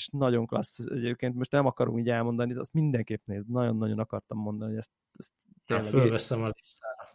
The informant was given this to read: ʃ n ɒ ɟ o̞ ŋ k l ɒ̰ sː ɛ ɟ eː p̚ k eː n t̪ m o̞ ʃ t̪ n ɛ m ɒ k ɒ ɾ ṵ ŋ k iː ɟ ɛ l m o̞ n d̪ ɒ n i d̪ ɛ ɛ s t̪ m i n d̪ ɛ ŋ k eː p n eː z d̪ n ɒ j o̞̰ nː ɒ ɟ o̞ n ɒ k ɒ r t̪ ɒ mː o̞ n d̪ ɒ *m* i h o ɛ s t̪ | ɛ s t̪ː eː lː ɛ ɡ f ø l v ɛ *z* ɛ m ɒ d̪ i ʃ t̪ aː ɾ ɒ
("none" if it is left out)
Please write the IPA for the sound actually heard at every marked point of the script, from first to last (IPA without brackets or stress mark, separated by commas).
n, s